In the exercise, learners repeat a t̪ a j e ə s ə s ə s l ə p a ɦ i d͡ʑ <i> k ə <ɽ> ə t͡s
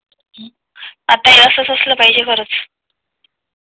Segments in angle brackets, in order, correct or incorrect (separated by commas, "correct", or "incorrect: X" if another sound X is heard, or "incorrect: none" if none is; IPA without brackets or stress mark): incorrect: e, incorrect: ɾ